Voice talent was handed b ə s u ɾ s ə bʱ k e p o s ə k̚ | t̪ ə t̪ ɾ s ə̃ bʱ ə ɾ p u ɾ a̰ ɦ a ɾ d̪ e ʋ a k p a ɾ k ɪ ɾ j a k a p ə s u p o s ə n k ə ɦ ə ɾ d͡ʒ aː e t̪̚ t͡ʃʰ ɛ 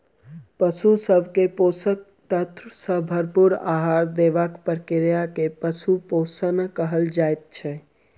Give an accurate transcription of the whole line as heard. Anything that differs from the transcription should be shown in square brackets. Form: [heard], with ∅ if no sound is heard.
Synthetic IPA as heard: [p] ə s u [∅] s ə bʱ k e p o s ə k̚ | t̪ ə t̪ ɾ s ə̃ bʱ ə ɾ p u ɾ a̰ ɦ a ɾ d̪ e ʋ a k p [ə] ɾ k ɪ ɾ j a k [e] p ə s u p o s ə n k ə ɦ ə [l] d͡ʒ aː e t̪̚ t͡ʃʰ ɛ

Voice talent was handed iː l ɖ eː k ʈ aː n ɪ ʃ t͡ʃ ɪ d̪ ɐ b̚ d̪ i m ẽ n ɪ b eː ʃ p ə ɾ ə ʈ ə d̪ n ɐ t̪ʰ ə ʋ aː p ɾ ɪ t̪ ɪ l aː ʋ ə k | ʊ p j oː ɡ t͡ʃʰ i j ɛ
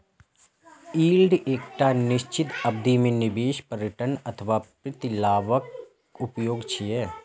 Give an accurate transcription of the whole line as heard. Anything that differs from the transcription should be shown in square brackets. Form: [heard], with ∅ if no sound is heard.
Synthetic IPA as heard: iː l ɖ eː k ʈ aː n ɪ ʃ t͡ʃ ɪ [t̪] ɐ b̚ d̪ i m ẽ n ɪ b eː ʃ p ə ɾ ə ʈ ə [∅] n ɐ t̪ʰ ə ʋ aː p ɾ ɪ t̪ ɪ l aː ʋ ə k | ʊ p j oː ɡ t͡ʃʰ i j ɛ

